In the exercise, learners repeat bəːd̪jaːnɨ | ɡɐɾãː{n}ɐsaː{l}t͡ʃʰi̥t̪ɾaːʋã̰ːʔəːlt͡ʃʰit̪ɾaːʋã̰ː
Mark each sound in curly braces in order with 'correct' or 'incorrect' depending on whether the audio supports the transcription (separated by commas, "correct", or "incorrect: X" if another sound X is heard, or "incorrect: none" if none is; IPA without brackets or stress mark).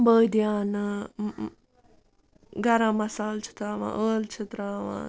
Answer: incorrect: m, correct